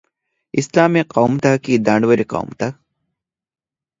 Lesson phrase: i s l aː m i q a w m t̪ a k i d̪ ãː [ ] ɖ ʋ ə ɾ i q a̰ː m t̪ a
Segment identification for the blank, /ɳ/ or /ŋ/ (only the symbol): ɳ